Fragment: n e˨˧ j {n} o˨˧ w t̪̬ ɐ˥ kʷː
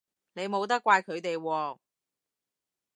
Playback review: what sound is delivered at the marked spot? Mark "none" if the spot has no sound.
m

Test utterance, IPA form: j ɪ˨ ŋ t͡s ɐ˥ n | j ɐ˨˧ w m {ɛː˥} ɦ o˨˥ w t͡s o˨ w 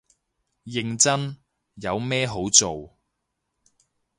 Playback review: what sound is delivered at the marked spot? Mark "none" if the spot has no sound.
ɛː˥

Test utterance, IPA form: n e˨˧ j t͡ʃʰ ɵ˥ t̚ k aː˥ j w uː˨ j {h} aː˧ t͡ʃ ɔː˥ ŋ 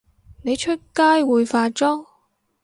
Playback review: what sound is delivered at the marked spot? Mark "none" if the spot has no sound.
f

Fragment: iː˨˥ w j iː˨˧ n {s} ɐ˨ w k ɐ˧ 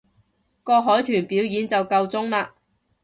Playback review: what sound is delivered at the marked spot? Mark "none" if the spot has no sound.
t͡s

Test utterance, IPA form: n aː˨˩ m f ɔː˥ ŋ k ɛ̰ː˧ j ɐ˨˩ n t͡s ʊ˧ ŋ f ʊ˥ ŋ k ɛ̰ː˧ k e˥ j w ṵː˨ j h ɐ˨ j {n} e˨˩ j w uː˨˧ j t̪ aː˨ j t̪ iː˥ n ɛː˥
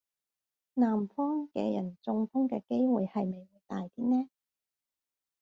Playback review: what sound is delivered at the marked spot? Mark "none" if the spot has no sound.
m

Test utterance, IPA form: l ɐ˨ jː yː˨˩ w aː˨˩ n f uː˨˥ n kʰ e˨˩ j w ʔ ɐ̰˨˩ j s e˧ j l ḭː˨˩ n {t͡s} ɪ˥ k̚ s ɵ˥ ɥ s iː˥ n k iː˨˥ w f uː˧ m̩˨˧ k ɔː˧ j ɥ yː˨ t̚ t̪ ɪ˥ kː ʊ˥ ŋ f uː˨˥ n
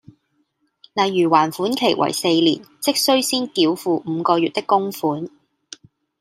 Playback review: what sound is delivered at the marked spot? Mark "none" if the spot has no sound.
t͡s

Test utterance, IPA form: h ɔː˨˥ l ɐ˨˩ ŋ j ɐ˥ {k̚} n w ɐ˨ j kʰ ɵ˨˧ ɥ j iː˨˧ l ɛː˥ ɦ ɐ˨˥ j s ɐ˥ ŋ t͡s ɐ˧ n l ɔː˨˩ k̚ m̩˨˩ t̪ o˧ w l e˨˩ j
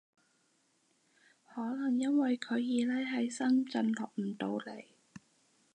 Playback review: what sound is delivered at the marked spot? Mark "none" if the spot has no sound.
none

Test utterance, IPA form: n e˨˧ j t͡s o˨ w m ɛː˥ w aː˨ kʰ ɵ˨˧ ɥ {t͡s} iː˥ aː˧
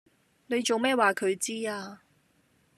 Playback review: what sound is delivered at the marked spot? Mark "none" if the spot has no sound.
t͡s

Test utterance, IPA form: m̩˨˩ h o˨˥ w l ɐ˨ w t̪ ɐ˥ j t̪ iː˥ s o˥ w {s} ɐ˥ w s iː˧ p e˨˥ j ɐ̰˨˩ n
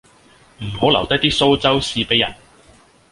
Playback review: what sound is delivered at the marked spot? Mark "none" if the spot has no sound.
t͡s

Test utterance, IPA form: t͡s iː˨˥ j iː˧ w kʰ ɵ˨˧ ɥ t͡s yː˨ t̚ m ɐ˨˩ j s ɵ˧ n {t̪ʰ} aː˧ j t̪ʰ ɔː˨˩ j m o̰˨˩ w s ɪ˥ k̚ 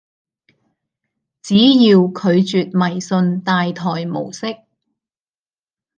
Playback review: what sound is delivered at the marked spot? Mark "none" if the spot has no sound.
t̪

